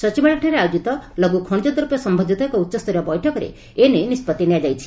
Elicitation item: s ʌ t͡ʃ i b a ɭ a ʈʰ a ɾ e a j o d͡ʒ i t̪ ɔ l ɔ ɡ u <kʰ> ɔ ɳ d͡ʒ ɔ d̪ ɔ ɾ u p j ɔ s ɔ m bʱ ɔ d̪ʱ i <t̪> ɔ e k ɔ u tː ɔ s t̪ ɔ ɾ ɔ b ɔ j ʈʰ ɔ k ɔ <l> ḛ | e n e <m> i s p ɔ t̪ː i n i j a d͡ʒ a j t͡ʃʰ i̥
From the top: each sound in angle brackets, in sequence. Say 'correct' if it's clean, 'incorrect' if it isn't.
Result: correct, correct, incorrect: ɾ, incorrect: n

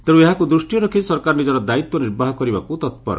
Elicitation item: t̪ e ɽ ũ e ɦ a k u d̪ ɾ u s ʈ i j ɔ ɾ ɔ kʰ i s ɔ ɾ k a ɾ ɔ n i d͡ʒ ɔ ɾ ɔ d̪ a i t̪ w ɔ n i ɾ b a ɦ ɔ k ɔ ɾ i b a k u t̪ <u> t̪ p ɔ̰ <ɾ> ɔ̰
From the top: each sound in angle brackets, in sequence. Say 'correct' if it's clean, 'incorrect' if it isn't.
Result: incorrect: ɔ, correct

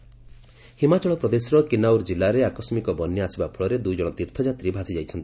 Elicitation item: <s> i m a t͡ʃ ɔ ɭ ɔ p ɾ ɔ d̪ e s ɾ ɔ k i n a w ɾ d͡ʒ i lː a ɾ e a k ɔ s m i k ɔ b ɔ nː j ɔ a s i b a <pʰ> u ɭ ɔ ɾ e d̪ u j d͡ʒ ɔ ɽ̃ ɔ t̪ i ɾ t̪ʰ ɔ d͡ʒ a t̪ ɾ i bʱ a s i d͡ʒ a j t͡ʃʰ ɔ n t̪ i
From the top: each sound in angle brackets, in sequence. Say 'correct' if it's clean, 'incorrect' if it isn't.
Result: incorrect: h, correct

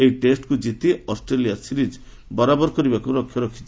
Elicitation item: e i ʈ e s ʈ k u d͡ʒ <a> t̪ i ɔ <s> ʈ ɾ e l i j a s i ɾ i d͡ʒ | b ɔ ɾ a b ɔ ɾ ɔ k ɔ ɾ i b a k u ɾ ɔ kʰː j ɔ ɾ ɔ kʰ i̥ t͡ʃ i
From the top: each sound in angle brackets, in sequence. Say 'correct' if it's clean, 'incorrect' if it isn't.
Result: incorrect: i, correct

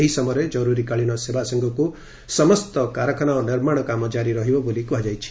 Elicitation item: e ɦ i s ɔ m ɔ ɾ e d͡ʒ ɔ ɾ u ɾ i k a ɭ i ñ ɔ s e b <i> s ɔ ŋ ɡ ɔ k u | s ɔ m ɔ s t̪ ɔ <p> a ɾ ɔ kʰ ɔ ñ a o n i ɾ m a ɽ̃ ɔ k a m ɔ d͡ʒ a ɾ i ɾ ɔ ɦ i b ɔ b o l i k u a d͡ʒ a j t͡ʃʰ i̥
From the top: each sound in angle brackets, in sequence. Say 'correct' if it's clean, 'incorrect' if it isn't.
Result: incorrect: a, incorrect: k

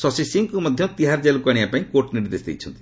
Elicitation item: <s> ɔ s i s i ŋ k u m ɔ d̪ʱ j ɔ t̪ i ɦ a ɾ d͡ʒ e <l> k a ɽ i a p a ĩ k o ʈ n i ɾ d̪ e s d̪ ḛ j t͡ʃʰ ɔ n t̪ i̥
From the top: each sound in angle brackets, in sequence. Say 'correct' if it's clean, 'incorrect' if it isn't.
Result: correct, correct

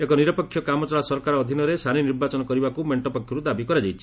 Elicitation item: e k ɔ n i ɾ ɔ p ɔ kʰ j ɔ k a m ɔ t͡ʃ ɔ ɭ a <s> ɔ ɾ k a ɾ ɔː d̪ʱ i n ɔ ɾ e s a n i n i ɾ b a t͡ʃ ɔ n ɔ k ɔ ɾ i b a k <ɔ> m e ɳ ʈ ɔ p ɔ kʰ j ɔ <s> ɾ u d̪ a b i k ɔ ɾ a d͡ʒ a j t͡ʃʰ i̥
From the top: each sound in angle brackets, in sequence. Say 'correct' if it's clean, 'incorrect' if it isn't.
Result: correct, incorrect: u, incorrect: none

